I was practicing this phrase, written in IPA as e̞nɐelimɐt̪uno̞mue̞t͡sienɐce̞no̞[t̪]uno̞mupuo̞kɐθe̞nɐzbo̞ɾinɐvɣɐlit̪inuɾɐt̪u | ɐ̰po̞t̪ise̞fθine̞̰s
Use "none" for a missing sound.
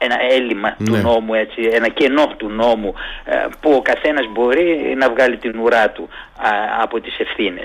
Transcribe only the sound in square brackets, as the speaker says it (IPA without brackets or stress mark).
t̪